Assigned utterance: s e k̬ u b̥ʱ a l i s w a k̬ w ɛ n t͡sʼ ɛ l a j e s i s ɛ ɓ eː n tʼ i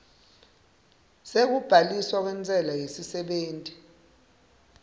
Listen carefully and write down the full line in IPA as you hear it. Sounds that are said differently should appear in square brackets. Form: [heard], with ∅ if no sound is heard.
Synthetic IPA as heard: s e k̬ u b̥ʱ a l i s w a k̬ w ɛ n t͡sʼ ɛ l a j e s i s ɛ ɓ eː n tʼ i